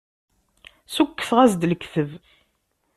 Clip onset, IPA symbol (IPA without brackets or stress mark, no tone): s